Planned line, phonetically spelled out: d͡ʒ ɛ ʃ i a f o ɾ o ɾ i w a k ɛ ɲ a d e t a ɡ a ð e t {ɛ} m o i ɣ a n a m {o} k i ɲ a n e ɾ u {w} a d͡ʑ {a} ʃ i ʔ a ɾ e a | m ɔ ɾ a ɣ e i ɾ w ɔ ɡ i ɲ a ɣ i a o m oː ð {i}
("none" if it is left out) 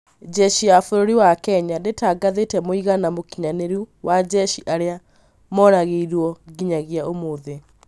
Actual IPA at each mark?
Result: ɛ, o, w, ɛ, e

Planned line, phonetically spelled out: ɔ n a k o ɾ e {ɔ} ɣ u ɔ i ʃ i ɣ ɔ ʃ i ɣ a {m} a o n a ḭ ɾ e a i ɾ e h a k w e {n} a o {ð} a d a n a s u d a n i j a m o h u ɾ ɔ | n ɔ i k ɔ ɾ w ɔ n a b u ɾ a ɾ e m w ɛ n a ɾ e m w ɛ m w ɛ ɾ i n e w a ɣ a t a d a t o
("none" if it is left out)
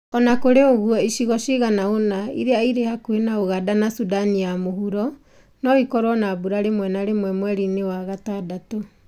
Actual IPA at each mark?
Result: o, n, n, ɣ

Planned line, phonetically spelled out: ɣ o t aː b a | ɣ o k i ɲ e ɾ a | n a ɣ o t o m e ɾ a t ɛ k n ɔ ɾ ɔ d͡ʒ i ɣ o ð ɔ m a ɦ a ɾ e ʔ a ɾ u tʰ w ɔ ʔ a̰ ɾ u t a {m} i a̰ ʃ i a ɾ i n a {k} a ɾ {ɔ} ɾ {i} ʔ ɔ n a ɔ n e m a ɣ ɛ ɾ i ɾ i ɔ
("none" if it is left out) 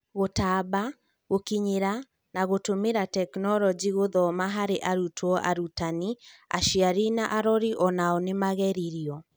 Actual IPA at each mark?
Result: n, ʔ, ɔ, i

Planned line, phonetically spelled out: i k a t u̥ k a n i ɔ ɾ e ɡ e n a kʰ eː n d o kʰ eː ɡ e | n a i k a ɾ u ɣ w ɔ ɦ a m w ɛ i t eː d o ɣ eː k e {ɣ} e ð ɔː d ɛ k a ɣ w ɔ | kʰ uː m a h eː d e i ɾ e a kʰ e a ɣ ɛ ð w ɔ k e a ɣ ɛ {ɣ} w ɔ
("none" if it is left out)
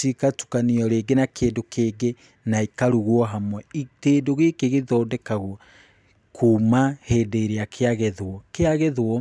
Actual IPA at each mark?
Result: ɣ, ð

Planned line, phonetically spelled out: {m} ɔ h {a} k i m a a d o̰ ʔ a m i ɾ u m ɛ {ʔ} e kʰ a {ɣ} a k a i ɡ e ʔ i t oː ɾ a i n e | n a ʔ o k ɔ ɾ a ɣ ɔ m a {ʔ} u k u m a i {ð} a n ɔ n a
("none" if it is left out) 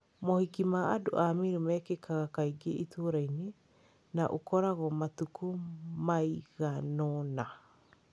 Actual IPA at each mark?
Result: m, i, k, ɣ, t, ɣ

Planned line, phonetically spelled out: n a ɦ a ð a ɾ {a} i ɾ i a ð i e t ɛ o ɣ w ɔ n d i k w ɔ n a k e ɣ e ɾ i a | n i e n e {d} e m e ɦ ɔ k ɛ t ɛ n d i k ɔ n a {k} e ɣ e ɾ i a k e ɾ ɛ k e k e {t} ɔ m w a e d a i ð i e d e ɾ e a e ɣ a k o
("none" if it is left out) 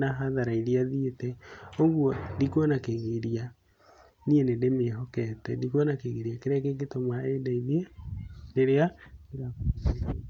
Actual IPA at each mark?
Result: a, d, k, t

